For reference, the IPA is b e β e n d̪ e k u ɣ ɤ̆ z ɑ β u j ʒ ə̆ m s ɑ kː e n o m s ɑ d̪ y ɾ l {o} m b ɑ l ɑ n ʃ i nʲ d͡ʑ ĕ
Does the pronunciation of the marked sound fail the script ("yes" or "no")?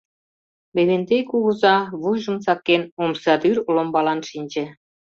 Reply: no